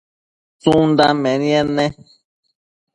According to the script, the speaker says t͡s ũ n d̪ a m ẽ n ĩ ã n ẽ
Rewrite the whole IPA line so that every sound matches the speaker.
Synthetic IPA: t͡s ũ n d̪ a m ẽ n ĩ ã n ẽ